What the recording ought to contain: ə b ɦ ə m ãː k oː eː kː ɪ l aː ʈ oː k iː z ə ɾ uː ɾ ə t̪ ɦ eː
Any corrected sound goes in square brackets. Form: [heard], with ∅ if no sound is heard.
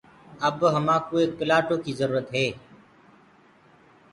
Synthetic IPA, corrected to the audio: ə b ɦ ə m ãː k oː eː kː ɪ l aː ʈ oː k iː z ə ɾ uː ɾ ə t̪ ɦ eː